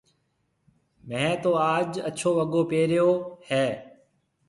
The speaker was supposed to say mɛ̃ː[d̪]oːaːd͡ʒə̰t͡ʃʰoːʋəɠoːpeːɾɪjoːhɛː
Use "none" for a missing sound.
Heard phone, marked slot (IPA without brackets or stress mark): t̪